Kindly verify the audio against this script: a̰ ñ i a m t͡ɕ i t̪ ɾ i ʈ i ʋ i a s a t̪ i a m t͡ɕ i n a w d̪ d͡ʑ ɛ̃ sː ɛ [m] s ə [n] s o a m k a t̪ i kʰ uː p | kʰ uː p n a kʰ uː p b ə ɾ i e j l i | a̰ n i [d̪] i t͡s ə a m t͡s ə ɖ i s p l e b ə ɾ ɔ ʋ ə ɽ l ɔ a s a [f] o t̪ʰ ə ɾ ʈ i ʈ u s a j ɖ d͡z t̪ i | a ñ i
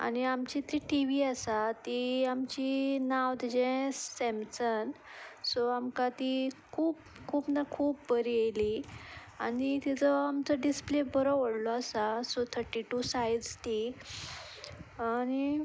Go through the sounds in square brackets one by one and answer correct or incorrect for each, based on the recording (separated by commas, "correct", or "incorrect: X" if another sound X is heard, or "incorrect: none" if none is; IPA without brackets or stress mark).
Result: correct, correct, incorrect: t̪, incorrect: s